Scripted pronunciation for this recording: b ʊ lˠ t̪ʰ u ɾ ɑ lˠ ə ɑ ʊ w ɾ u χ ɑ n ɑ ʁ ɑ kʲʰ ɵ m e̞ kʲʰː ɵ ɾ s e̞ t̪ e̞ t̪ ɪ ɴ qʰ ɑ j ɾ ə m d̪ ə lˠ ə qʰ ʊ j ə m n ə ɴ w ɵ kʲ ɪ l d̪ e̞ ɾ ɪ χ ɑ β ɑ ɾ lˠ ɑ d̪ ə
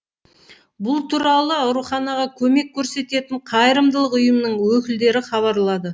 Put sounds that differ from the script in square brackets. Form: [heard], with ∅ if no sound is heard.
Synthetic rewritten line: b ʊ lˠ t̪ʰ u ɾ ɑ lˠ ə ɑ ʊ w ɾ u χ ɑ n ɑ ʁ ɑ kʲʰ ɵ m e̞ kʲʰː ɵ ɾ s e̞ t̪ e̞ t̪ ɪ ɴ qʰ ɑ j ɾ ə m d̪ ə lˠ ə [q] ʊ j ə m n ə ɴ w ɵ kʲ ɪ l d̪ e̞ ɾ ɪ χ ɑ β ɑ ɾ lˠ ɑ d̪ ə